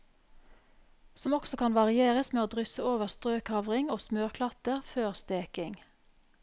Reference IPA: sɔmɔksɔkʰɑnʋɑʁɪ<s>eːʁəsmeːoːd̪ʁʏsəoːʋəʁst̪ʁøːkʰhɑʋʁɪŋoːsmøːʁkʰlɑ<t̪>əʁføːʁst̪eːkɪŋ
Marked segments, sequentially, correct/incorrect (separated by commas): incorrect, correct